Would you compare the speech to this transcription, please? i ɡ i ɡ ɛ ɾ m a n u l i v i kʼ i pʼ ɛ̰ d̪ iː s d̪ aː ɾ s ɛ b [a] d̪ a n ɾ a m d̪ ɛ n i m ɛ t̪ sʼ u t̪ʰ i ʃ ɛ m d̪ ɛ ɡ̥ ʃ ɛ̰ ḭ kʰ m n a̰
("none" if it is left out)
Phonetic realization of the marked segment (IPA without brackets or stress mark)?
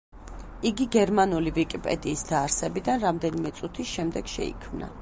i